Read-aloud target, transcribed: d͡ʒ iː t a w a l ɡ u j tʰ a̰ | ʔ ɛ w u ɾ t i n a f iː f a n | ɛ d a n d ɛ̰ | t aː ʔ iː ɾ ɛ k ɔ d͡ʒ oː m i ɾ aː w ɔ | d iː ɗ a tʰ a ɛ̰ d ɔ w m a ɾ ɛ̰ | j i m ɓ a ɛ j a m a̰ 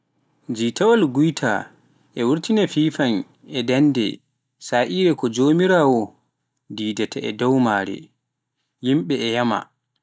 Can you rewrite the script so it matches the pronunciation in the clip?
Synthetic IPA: d͡ʒ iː t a w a l ɡ u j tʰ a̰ | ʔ ɛ w u ɾ t i n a f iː f a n | ɛ d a n d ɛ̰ | s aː ʔ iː ɾ ɛ k ɔ d͡ʒ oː m i ɾ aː w ɔ | d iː d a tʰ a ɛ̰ d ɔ w m a ɾ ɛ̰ | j i m ɓ ɛ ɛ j a m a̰